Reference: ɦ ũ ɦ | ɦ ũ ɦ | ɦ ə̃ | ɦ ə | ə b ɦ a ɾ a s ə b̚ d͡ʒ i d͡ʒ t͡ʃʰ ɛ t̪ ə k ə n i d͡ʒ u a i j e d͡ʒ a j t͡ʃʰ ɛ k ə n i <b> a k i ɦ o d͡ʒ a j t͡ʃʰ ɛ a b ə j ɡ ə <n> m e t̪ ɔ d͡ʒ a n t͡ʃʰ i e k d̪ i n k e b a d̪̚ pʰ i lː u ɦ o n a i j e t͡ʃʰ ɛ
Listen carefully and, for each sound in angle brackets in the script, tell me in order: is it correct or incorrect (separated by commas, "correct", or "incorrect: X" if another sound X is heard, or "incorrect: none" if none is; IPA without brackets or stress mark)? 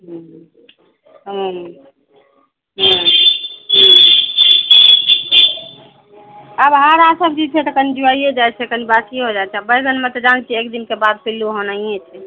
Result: correct, correct